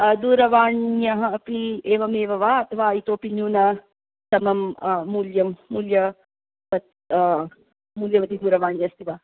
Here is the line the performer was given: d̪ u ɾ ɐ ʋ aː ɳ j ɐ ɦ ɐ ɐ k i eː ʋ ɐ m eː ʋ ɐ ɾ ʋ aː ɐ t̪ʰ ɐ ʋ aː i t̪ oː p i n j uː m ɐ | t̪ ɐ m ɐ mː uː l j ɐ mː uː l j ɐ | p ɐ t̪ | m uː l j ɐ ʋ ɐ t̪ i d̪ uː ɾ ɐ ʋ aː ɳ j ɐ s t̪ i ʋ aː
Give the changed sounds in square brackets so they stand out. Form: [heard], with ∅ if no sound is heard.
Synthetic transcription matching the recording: d̪ [uː] ɾ ɐ ʋ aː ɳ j ɐ ɦ ɐ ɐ [p] i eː ʋ ɐ m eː ʋ ɐ [∅] ʋ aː ɐ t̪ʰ ɐ ʋ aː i t̪ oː p i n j uː [n] ɐ | t̪ ɐ m ɐ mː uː l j ɐ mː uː l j ɐ | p ɐ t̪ | m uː l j ɐ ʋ ɐ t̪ i d̪ uː ɾ ɐ ʋ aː ɳ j ɐ s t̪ i ʋ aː